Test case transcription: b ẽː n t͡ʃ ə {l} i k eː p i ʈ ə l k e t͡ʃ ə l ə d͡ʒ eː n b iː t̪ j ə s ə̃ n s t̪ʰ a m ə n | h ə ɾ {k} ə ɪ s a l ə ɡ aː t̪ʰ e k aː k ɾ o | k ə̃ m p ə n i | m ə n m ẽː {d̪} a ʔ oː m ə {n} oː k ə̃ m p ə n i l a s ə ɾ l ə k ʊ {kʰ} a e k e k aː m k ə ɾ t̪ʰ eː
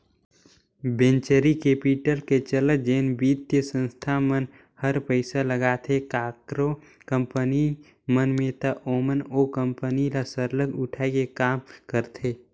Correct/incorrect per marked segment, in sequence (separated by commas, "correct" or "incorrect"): incorrect, incorrect, incorrect, correct, incorrect